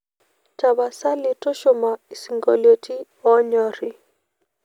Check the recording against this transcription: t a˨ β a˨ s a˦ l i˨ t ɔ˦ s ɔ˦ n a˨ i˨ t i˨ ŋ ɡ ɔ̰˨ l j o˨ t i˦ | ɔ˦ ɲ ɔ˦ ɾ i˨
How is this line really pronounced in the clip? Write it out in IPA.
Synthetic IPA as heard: t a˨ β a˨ s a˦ l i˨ t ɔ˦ ʃ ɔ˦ m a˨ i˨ s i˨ ŋ ɡ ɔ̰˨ l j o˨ t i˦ | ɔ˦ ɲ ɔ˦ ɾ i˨